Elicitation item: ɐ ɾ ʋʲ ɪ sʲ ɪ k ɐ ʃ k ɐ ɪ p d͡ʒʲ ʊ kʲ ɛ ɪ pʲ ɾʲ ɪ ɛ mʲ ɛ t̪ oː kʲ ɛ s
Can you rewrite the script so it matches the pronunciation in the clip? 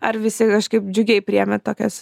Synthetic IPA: ɐ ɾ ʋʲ ɪ sʲ ɪ k ɐ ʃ k ɐ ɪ p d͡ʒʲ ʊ ɡʲ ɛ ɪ pʲ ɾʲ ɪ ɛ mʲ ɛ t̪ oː kʲ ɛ s

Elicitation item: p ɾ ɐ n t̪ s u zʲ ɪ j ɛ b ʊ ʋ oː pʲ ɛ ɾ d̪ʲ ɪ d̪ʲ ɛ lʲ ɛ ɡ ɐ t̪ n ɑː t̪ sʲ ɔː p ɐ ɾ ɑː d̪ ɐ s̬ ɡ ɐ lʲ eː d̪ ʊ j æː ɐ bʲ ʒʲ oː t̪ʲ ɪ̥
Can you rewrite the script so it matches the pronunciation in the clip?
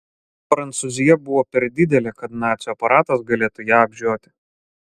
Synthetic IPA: p ɾ ɐ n t̪ s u zʲ ɪ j ɛ b ʊ ʋ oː pʲ ɛ ɾ d̪ʲ ɪ d̪ʲ ɛ lʲ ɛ k ɐ t̪ n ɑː t̪ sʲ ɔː p ɐ ɾ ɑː t̪ ɐ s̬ ɡ ɐ lʲ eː t̪ ʊ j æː ɐ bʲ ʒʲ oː t̪ʲ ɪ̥

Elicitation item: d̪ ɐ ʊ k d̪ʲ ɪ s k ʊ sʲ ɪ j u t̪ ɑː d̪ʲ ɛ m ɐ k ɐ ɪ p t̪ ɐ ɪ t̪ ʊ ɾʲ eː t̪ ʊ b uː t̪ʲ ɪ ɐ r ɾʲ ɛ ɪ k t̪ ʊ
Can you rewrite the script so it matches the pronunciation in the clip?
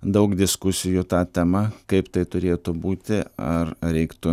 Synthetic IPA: d̪ ɐ ʊ k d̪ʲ ɪ s k ʊ sʲ ɪ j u t̪ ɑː t̪ʲ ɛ m ɐ k ɐ ɪ p t̪ ɐ ɪ t̪ ʊ ɾʲ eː t̪ ʊ b uː t̪ʲ ɪ ɐ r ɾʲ ɛ ɪ k t̪ ʊ

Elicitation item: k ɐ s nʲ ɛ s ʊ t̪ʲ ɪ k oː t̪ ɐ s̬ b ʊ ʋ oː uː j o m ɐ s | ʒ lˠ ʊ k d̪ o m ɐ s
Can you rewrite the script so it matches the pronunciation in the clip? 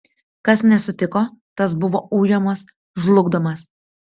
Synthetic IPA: k ɐ s nʲ ɛ s ʊ t̪ʲ ɪ k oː t̪ ɐ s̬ b ʊ ʋ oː uː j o m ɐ s | ʒ lˠ ʊ ɡ d̪ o m ɐ s

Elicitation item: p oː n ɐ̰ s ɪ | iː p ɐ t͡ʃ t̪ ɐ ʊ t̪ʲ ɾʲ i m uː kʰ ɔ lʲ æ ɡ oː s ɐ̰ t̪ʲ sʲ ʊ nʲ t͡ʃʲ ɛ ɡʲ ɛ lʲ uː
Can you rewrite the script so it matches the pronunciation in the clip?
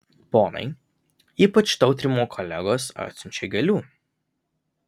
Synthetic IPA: p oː n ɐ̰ ɪ | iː p ɐ t͡ʃ t̪ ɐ ʊ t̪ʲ ɾʲ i m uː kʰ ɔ lʲ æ ɡ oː s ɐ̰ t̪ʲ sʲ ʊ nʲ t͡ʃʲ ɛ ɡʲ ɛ lʲ uː

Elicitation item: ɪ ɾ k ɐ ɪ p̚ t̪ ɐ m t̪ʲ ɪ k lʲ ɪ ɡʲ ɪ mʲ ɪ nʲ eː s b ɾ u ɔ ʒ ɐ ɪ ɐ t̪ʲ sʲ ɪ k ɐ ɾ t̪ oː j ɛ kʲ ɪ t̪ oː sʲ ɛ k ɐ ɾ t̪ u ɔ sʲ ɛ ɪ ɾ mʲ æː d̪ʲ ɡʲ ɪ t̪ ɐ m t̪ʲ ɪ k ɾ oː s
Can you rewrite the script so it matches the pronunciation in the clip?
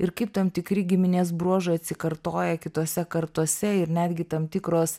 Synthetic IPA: ɪ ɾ k ɐ ɪ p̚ t̪ ɐ m t̪ʲ ɪ k ɾʲ ɪ ɡʲ ɪ mʲ ɪ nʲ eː s b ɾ u ɔ ʒ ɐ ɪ ɐ t̪ʲ sʲ ɪ k ɐ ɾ t̪ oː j ɛ kʲ ɪ t̪ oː sʲ ɛ k ɐ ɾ t̪ u ɔ sʲ ɛ ɪ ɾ nʲ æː d̪ʲ ɡʲ ɪ t̪ ɐ m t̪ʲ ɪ k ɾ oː s

